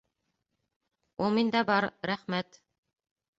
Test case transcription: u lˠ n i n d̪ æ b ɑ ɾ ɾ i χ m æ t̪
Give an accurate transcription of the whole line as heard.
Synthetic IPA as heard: u lˠ m i n d̪ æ b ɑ ɾ ɾ æ χ m æ t̪